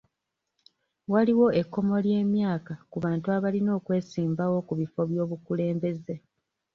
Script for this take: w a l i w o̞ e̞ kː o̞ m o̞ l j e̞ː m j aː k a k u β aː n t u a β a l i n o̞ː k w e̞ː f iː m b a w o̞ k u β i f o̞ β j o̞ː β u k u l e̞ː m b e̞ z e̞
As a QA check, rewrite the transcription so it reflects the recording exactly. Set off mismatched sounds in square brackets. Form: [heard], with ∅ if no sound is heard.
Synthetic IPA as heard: w a l i w o̞ e̞ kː o̞ m o̞ l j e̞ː m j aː k a k u β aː n t u a β a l i n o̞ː k w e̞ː [s] iː m b a w o̞ k u β i f o̞ β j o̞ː β u k u l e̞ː m b e̞ z e̞